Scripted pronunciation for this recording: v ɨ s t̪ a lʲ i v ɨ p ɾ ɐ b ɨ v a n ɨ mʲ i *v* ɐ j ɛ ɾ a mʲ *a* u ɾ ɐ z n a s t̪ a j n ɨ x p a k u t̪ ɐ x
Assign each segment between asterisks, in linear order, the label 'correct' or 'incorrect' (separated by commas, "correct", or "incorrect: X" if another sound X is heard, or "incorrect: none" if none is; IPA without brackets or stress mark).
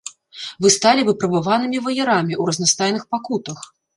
correct, incorrect: i